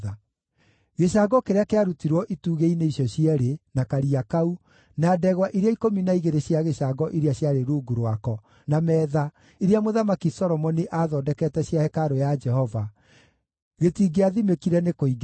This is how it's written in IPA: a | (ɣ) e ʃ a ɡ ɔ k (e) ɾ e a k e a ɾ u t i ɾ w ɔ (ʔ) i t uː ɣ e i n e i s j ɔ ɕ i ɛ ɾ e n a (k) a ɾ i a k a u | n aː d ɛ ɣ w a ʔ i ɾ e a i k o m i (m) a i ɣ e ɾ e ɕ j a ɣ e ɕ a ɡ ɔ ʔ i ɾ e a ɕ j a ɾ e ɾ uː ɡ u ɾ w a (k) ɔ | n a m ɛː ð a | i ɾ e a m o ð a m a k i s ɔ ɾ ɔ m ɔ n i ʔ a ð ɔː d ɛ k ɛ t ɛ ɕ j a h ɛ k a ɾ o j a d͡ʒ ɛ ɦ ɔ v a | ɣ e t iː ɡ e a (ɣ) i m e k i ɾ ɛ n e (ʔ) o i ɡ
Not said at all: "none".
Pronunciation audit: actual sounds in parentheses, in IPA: ɣ, e, ʔ, k, n, k, ð, k

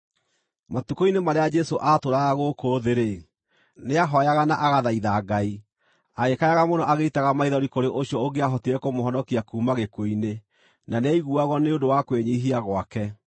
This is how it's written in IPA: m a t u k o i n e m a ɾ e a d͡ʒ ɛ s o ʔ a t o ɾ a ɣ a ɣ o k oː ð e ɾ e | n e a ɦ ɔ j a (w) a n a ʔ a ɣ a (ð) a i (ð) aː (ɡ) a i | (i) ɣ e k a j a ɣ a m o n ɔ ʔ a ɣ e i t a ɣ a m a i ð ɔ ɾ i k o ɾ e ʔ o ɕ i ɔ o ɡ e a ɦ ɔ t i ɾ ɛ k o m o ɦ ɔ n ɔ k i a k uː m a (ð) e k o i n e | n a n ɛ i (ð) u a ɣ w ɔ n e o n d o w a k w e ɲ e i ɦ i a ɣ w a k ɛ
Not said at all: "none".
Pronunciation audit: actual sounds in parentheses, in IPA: ɣ, ð, ð, ɡ, a, ɣ, ɣ

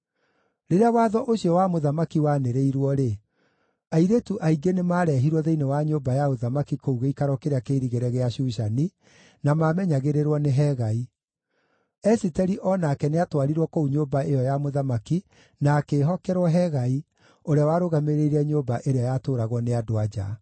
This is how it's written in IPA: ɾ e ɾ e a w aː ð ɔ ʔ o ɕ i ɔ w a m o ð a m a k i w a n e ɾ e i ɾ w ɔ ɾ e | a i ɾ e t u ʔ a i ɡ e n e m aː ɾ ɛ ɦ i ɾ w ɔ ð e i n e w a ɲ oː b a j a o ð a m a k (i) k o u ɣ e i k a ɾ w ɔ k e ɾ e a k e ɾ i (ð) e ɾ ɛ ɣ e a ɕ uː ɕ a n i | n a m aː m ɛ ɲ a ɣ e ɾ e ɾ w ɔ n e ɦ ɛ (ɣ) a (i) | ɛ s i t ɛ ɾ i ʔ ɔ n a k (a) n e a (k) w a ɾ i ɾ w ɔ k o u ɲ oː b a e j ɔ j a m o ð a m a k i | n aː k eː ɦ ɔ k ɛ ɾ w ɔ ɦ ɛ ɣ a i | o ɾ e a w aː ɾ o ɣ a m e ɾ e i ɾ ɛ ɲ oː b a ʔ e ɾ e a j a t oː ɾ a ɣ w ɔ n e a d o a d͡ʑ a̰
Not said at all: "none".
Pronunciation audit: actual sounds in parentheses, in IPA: i, ɣ, ɣ, i, ɛ, t

